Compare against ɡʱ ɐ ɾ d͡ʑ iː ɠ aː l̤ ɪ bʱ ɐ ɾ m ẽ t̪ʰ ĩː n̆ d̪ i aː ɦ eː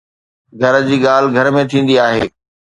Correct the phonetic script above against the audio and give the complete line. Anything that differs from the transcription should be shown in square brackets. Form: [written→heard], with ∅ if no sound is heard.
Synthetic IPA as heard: ɡʱ ɐ ɾ d͡ʑ iː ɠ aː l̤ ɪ [bʱ→ɡʱ] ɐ ɾ m ẽ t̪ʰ ĩː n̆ d̪ i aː ɦ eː